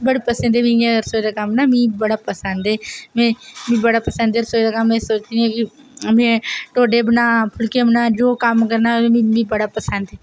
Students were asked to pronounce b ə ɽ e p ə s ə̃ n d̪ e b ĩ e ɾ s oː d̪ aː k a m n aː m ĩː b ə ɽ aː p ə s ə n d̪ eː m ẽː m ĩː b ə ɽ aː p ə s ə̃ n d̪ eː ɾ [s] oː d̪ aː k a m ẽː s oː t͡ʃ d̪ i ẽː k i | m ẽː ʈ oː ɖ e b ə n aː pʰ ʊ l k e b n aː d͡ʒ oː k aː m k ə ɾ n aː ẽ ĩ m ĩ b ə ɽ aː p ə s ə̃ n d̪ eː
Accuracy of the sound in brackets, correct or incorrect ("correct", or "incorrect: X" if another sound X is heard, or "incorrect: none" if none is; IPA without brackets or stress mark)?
correct